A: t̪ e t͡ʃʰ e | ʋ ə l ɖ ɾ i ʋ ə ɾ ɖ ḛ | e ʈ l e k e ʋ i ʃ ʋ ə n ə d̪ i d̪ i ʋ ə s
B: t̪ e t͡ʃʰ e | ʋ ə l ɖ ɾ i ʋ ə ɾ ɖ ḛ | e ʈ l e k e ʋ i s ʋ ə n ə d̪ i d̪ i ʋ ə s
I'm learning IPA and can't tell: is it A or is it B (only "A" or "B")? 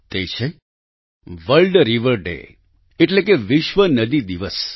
A